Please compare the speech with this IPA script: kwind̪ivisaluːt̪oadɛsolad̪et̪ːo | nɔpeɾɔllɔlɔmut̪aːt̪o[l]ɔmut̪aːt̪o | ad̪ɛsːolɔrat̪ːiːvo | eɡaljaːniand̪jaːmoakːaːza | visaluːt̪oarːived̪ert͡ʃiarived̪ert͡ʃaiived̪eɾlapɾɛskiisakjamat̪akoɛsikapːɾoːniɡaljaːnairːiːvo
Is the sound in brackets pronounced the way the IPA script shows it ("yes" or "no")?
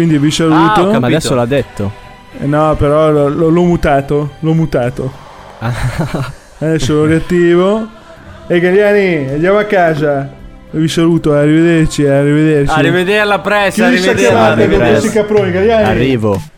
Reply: yes